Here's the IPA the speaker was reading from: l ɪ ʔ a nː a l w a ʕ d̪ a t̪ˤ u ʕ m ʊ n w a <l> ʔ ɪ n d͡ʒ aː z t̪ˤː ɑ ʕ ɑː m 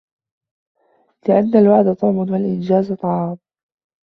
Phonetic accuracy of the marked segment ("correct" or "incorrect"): correct